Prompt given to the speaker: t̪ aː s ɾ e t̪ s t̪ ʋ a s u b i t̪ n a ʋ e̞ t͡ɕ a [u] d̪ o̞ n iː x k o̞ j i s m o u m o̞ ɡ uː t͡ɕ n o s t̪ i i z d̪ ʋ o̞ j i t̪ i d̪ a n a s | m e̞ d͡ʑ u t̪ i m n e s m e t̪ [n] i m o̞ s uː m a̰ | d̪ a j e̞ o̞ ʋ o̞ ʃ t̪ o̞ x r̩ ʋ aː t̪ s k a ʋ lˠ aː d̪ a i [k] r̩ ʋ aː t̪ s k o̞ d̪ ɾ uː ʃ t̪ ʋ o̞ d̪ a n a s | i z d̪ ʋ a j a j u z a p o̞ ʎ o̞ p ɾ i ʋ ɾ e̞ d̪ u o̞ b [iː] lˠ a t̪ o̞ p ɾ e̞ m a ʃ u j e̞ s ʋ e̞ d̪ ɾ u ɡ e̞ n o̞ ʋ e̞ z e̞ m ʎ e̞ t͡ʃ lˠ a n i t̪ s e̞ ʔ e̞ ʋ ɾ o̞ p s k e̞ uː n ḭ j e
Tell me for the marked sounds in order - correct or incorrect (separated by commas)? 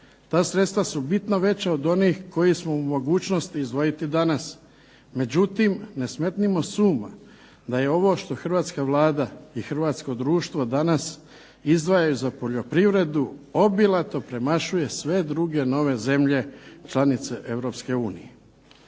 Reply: incorrect, correct, incorrect, incorrect